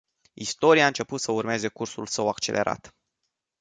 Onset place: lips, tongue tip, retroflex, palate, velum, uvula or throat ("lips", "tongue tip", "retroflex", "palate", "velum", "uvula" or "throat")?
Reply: tongue tip